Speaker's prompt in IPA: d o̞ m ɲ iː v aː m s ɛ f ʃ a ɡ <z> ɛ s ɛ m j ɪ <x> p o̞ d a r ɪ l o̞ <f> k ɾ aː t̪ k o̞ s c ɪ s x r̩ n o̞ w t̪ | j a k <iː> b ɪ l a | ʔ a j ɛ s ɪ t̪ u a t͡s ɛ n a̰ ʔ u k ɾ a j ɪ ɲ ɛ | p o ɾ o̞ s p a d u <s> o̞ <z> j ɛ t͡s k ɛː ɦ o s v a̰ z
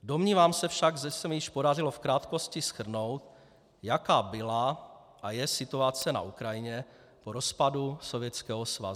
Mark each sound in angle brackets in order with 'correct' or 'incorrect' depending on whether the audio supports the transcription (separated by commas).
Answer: incorrect, incorrect, correct, incorrect, correct, incorrect